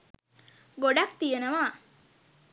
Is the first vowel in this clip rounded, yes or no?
yes